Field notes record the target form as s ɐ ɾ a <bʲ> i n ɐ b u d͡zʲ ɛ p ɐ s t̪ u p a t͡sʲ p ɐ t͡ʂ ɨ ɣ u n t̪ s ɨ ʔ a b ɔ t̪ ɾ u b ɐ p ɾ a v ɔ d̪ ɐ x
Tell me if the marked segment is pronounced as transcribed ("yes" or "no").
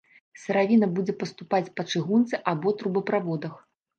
no